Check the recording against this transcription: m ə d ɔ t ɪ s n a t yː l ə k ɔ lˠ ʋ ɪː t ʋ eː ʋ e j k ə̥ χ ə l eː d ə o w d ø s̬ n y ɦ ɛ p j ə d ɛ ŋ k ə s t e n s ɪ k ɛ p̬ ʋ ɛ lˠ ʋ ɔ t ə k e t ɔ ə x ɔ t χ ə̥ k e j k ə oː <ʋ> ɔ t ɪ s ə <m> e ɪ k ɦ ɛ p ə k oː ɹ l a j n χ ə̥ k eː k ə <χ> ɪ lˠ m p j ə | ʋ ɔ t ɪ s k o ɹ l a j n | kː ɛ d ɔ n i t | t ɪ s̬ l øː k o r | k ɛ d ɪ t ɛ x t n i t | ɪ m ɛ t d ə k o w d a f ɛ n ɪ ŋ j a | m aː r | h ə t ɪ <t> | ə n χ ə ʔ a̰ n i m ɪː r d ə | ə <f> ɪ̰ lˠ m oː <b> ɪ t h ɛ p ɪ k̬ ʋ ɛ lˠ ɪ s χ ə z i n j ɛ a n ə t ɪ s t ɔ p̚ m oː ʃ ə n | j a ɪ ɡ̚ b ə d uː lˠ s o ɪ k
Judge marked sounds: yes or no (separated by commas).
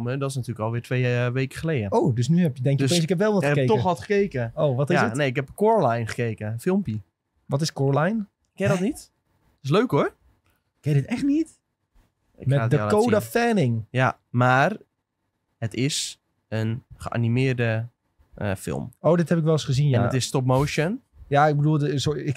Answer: yes, no, no, no, yes, no